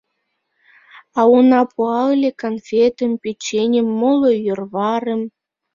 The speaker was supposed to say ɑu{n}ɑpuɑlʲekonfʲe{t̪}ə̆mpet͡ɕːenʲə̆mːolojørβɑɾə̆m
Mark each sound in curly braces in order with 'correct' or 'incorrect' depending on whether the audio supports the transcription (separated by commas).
correct, correct